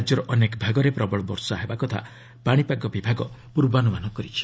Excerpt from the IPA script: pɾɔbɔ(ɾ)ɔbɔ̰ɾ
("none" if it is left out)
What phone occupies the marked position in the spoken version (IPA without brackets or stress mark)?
ɭ